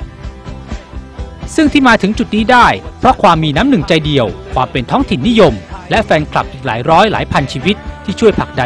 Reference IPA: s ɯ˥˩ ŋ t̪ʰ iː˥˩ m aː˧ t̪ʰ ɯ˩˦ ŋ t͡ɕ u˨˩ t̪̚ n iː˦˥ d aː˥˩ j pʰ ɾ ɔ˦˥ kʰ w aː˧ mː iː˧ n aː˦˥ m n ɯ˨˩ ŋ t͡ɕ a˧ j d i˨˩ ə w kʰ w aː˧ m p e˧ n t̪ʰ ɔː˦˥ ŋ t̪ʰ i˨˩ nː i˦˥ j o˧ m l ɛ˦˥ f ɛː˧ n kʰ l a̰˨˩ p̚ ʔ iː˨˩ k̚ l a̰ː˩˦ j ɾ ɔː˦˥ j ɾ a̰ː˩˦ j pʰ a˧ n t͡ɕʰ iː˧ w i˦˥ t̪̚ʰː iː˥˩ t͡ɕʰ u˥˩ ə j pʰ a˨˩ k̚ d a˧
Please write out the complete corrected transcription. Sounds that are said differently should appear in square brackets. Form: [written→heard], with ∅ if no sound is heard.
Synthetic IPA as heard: s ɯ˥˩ ŋ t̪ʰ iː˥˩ m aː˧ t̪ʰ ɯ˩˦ ŋ t͡ɕ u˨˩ t̪̚ n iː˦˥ d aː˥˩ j pʰ ɾ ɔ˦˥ kʰ w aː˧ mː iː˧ n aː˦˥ m n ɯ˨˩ ŋ t͡ɕ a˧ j d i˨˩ ə w kʰ w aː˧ m p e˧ n t̪ʰ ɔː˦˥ ŋ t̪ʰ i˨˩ nː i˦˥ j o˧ m l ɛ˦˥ f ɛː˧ n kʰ l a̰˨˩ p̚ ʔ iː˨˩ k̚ l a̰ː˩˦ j ɾ ɔː˦˥ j [ɾ→l] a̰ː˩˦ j pʰ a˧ n t͡ɕʰ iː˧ w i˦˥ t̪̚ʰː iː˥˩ t͡ɕʰ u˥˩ ə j pʰ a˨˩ k̚ d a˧